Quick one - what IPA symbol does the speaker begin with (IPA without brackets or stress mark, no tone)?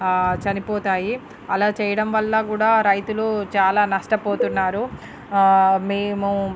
t͡ʃ